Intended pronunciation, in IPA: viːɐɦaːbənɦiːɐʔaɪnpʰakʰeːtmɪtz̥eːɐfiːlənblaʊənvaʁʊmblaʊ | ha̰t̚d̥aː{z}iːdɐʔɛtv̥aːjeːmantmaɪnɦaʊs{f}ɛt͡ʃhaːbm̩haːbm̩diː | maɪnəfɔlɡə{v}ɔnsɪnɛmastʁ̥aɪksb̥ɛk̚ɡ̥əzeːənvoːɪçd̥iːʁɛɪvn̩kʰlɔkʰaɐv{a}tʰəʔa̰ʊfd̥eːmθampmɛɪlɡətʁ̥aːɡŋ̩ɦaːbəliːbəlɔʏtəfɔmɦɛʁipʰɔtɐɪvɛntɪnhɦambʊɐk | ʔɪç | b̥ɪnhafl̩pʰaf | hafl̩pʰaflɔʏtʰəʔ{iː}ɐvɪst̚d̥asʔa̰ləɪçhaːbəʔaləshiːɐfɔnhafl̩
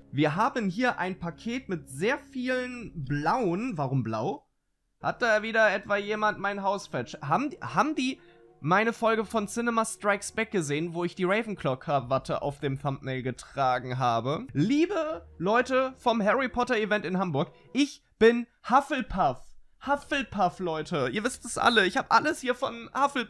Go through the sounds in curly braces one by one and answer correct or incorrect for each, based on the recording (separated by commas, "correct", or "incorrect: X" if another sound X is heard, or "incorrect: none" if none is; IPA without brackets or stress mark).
incorrect: v, correct, incorrect: f, correct, correct